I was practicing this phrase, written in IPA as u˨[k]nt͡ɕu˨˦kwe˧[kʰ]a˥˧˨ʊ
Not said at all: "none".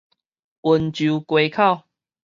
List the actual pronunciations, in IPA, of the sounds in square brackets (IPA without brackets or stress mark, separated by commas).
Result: none, kʰ